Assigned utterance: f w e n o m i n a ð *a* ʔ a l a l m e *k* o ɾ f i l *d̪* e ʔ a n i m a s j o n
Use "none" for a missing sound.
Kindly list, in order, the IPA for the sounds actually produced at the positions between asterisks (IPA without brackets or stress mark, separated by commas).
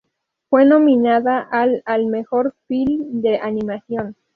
a, x, d̪